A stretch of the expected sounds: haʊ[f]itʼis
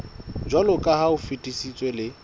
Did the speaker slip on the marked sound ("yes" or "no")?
no